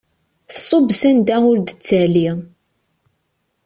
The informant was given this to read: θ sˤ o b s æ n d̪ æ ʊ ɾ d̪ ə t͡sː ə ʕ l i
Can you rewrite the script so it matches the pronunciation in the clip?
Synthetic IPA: θ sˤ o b s æ n d̪ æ ʊ ɾ d̪ ə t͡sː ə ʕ l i